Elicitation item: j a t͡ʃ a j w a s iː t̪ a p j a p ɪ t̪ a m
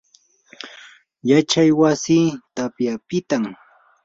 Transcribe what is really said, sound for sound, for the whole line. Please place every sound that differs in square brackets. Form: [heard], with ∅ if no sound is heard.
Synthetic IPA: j a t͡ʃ a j w a s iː t̪ a p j a p ɪ t̪ a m